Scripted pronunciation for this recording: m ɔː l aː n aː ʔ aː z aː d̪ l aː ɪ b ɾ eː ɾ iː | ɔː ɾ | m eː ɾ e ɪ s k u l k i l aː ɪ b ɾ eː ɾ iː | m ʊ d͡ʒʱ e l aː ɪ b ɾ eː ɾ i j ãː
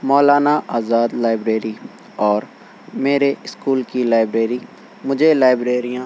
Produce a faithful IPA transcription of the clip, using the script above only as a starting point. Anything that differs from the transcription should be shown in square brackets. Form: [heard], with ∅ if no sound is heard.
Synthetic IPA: m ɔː l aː n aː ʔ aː z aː d̪ l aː ɪ b ɾ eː ɾ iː | ɔː ɾ | m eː ɾ e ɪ s k [uː] l k i l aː ɪ b ɾ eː ɾ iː | m ʊ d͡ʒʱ e l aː ɪ b ɾ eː ɾ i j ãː